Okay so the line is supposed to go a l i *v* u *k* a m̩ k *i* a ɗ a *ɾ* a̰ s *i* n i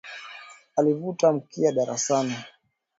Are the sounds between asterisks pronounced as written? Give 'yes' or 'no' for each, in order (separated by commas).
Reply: yes, no, yes, yes, no